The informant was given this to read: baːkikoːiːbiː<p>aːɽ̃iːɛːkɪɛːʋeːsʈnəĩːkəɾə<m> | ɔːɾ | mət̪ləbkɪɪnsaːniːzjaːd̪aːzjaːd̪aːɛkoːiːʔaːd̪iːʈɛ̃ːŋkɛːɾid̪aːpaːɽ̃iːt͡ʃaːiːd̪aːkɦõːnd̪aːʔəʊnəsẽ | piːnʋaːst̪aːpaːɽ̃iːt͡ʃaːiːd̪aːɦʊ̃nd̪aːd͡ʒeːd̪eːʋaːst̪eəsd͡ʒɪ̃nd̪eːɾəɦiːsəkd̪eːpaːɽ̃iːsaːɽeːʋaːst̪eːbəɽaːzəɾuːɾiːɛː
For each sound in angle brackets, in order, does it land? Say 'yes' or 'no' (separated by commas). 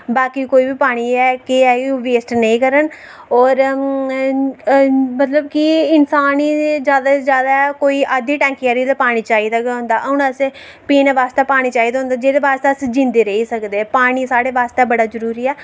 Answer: yes, no